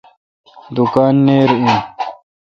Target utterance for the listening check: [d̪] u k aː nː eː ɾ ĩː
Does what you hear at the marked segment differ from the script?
no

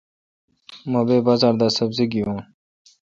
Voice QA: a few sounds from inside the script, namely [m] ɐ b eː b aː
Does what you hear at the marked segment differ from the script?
no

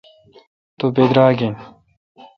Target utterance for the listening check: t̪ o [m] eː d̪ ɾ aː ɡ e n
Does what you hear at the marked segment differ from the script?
yes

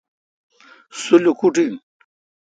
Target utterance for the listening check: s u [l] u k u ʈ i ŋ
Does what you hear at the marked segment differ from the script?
no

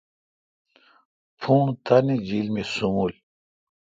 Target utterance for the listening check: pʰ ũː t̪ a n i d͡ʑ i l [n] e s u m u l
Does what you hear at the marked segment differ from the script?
yes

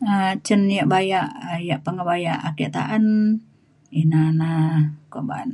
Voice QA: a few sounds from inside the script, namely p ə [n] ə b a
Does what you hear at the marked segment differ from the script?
yes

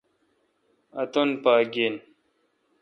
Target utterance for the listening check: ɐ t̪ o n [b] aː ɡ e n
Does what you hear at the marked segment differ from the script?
yes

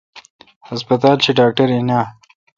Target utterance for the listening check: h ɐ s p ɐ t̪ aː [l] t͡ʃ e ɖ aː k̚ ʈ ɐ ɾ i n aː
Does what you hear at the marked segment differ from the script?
no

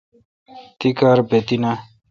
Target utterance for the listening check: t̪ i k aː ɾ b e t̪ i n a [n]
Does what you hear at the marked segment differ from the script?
yes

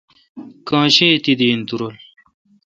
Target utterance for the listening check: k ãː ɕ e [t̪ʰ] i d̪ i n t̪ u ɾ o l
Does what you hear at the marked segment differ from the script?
yes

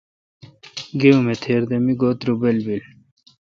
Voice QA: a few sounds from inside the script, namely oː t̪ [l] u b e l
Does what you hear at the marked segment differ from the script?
yes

